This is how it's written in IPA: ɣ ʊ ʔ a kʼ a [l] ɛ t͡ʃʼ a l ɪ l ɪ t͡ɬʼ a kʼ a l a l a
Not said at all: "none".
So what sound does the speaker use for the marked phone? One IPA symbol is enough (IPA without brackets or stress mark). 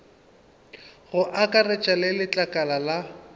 r